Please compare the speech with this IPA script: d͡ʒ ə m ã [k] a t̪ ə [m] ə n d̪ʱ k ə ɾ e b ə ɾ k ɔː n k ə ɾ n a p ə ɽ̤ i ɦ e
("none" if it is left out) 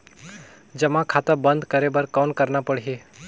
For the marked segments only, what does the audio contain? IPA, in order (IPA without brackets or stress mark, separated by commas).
kʰ, b